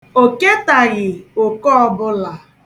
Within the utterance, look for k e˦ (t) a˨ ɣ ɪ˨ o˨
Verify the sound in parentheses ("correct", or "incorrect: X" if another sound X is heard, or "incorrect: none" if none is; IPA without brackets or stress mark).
correct